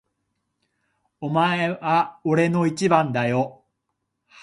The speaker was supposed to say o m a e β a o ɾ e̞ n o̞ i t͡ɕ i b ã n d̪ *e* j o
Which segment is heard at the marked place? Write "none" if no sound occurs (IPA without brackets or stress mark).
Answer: a